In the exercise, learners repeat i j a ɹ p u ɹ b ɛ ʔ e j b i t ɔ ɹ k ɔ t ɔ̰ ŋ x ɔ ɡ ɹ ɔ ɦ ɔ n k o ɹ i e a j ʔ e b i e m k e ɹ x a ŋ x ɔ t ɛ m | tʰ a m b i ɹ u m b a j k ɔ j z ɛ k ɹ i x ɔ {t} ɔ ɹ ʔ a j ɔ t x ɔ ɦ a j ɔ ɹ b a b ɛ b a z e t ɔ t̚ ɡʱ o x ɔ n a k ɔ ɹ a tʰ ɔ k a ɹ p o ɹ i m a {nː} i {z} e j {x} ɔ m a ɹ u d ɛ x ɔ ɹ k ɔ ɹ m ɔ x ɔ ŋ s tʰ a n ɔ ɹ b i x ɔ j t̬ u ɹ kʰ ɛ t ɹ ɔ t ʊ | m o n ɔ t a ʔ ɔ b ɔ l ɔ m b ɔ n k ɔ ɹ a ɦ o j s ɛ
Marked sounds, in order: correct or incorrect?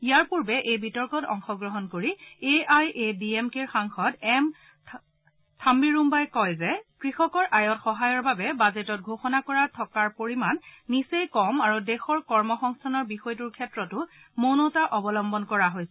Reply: incorrect: k, correct, incorrect: s, incorrect: k

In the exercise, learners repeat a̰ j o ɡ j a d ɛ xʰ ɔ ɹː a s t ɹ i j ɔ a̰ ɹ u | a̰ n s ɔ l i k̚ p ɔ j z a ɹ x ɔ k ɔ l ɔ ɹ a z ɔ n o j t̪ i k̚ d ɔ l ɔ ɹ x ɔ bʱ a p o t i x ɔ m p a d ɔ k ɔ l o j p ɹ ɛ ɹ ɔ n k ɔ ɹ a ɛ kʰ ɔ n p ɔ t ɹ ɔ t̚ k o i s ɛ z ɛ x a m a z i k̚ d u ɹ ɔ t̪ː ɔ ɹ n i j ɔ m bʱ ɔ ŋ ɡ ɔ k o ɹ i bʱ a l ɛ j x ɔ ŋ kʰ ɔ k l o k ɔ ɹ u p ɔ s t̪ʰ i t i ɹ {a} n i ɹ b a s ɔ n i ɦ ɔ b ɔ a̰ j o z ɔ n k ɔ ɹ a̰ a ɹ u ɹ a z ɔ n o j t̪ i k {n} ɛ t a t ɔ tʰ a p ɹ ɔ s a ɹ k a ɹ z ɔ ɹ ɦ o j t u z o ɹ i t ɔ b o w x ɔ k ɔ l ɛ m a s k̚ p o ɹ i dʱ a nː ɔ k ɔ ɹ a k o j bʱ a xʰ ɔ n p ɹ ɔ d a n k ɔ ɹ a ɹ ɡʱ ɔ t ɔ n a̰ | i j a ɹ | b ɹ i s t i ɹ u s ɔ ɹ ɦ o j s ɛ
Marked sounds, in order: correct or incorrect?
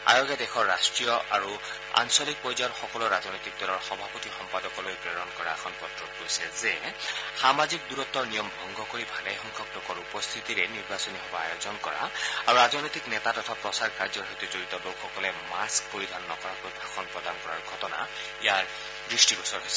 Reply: incorrect: ɛ, correct

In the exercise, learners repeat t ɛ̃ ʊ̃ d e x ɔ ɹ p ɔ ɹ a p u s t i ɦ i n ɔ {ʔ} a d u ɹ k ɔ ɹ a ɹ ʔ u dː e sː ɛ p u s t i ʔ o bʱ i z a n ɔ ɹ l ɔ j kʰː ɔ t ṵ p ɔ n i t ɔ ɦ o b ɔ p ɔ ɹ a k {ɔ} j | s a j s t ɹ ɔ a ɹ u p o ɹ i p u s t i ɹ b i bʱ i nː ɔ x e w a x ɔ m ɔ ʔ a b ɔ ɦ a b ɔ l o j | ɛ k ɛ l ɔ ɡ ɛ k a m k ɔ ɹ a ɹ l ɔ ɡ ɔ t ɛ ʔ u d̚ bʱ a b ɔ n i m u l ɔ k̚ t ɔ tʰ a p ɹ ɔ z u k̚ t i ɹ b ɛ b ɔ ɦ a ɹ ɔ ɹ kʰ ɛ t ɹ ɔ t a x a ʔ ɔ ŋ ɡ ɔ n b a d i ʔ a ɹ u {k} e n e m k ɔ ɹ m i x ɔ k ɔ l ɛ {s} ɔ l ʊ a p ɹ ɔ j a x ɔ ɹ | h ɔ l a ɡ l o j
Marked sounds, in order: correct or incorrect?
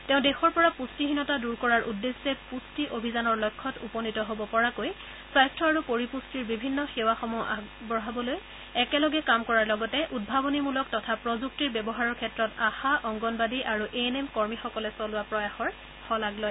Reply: incorrect: t, incorrect: o, incorrect: ʔ, correct

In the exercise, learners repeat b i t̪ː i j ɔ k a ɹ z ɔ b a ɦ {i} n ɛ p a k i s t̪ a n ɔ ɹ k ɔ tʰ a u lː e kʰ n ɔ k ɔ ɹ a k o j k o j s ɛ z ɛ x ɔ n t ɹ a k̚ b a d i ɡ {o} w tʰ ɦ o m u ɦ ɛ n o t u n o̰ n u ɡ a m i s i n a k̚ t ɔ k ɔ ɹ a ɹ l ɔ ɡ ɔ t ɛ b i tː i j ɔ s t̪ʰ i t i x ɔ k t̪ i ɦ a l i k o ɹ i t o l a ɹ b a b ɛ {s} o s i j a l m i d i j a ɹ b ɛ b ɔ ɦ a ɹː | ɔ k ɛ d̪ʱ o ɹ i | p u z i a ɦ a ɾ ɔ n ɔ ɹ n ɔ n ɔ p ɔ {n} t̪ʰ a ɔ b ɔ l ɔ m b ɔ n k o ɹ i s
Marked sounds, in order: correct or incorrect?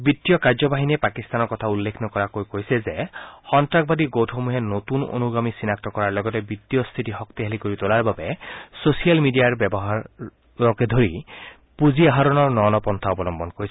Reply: correct, correct, correct, correct

